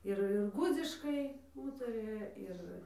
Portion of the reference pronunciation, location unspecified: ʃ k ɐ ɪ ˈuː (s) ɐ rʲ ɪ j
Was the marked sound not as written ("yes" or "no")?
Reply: yes